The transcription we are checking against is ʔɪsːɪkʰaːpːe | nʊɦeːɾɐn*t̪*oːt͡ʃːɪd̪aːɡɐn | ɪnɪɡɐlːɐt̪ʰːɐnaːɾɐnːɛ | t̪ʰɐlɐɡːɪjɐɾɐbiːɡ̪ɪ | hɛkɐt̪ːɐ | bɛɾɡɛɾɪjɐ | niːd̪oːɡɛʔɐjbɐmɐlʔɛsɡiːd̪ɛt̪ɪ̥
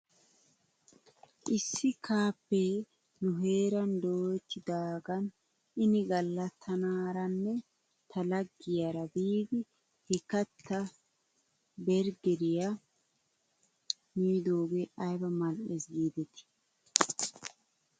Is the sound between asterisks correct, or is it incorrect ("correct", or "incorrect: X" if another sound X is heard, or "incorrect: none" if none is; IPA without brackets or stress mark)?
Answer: incorrect: d̪